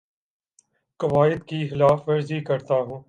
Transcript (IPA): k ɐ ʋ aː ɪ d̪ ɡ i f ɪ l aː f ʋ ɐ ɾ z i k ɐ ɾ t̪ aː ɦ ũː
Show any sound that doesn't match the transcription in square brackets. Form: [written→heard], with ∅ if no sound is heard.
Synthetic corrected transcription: k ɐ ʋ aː ɪ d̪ [ɡ→k] i [f→x] ɪ l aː f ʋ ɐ ɾ z i k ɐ ɾ t̪ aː ɦ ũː